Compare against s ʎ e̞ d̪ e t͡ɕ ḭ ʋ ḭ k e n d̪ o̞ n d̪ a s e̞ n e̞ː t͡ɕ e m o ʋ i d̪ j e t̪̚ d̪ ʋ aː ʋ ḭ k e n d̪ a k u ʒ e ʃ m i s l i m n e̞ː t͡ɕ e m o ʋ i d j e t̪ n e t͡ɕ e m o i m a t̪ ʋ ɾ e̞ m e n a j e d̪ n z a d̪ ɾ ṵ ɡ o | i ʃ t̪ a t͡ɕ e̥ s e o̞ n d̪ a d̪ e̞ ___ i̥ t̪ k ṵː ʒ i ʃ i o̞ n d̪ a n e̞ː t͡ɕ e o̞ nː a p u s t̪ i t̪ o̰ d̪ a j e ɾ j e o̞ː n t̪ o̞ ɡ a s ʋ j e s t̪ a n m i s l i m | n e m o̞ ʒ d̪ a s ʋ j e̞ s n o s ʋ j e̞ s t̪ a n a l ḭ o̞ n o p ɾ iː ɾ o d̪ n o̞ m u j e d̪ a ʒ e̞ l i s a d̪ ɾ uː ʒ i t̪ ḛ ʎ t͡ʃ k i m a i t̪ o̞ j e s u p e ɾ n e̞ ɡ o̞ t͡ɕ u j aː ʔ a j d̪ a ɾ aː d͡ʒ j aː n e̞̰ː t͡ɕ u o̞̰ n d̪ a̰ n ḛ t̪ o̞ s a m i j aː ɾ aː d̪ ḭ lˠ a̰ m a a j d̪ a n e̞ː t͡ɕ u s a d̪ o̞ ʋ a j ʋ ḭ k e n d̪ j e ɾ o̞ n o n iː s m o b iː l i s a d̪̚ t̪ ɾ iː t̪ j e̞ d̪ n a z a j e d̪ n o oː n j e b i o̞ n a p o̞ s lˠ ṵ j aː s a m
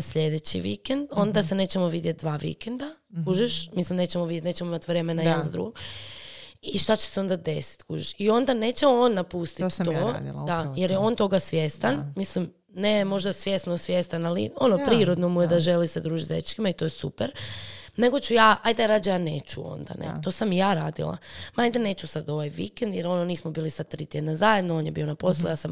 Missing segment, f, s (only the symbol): s